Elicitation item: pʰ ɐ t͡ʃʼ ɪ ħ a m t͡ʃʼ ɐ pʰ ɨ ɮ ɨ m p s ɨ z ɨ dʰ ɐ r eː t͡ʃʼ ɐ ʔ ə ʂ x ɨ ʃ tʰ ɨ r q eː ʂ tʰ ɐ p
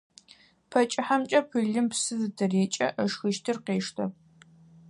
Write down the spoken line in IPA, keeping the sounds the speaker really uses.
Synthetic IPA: pʰ ɐ t͡ʃʼ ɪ ħ a m t͡ʃʼ ɐ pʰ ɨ ɮ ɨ m p s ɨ z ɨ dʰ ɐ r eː t͡ʃʼ ɐ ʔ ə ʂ x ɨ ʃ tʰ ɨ r q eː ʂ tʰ ɐ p

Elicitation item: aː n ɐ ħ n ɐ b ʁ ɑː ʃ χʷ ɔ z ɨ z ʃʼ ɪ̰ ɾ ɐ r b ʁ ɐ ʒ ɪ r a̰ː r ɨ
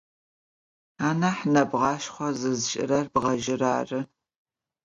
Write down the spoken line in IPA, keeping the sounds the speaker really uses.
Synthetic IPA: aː n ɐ ħ n ɐ b ʁ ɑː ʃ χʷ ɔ z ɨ z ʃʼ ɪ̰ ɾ ɐ r b ʁ ɐ ʒ ɪ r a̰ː r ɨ

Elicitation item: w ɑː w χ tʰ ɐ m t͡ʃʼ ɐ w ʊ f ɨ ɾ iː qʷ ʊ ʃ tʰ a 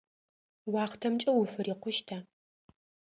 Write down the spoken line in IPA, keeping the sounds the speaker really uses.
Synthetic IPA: w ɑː χ tʰ ɐ m t͡ʃʼ ɐ w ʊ f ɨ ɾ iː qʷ ʊ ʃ tʰ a

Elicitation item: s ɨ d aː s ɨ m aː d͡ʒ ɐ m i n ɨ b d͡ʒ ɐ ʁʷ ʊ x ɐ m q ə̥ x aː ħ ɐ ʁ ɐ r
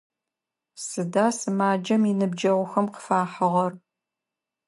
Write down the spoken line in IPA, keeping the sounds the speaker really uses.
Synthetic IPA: s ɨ d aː s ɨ m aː d͡ʒ ɐ m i n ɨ b d͡ʒ ɐ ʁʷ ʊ x ɐ m q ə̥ f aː ħ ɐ ʁ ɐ r

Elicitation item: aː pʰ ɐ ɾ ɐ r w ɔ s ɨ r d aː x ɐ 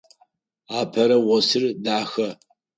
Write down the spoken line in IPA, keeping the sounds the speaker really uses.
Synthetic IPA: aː pʰ ɐ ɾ ɐ w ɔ s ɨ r d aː x ɐ

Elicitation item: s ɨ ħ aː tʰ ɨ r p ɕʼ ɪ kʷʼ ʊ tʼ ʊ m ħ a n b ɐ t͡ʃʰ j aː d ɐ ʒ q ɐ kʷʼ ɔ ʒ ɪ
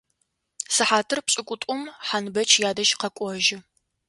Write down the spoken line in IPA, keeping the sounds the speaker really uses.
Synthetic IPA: s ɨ ħ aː tʰ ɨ r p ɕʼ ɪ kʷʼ ʊ tʼ ʊ m ħ a n b ɐ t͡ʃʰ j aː d ɐ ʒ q ɐ kʷʼ ɔ ʒ ɪ

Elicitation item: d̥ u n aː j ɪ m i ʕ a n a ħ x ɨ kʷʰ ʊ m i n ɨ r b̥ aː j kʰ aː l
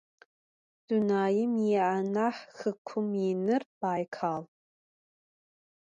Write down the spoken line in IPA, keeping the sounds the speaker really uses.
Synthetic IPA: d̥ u n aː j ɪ m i ʕ a n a ħ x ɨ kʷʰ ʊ m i n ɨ r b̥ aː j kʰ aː l

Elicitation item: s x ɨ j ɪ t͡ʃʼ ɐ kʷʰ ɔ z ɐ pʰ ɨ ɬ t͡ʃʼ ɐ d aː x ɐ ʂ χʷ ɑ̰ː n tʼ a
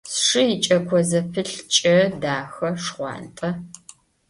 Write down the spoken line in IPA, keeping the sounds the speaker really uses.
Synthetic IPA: s ʂ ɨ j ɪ t͡ʃʼ ɐ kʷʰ ɔ z ɐ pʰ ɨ ɬ t͡ʃʼ ɐ d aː x ɐ ʂ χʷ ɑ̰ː n tʼ ɐ

